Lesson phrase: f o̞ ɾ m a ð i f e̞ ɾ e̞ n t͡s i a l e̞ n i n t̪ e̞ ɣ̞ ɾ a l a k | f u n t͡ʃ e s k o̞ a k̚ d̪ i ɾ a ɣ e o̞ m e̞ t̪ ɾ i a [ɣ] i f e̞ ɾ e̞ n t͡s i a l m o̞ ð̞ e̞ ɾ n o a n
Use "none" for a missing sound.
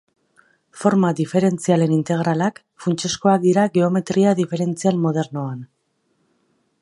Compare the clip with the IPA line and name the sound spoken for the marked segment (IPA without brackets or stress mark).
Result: ð